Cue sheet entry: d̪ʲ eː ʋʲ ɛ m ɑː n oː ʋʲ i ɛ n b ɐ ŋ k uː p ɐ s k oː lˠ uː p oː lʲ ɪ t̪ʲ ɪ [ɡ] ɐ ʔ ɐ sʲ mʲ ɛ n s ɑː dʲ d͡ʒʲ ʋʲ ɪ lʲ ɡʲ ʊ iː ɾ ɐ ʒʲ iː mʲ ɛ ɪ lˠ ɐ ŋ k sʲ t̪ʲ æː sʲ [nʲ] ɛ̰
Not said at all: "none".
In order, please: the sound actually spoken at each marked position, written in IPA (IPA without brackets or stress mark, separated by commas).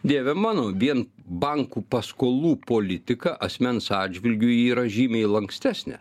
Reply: k, nʲ